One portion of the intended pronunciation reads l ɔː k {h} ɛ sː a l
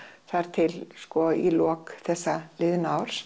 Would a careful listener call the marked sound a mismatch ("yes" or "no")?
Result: yes